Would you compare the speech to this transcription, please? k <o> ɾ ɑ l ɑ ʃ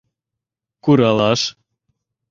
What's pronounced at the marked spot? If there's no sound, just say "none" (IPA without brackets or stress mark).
u